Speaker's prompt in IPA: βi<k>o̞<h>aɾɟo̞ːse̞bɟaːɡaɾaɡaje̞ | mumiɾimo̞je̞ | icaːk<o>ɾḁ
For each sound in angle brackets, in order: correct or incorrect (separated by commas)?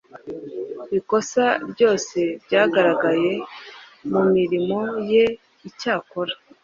correct, incorrect, correct